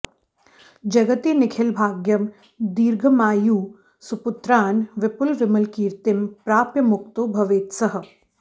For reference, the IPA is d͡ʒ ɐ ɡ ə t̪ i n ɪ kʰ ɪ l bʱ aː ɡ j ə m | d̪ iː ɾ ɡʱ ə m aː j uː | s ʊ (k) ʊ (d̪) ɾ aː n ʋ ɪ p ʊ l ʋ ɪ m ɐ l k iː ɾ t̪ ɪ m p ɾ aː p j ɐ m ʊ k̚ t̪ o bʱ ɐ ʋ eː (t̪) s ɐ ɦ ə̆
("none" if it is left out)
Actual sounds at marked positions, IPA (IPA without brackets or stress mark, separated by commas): p, t̪, t̪